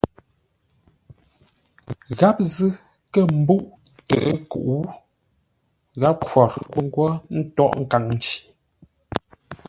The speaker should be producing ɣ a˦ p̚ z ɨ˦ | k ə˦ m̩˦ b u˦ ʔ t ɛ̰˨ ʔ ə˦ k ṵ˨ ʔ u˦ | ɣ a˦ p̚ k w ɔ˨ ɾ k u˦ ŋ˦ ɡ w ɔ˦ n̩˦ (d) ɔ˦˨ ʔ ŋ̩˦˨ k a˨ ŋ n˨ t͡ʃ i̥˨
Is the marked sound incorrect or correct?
incorrect